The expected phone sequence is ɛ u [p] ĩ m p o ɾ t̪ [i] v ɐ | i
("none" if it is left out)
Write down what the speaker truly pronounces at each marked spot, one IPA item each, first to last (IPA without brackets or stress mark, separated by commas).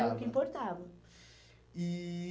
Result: k, a